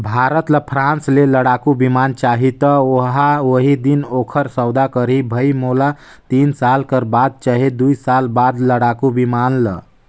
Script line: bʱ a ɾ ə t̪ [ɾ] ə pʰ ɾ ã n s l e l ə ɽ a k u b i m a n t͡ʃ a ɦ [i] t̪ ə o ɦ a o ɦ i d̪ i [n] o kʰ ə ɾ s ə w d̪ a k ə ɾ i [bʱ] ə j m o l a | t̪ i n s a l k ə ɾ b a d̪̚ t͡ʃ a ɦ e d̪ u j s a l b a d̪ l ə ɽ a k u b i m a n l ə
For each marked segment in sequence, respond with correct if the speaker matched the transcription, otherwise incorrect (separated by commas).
incorrect, correct, correct, correct